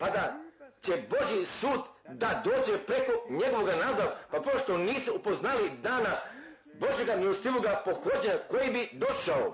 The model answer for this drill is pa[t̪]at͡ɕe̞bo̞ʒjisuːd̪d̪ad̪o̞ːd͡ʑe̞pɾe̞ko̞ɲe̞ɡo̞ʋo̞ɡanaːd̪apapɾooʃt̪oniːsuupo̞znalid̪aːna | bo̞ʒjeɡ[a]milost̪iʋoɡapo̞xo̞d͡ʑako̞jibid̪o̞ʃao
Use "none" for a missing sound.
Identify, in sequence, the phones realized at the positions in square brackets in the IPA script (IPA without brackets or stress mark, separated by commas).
d̪, a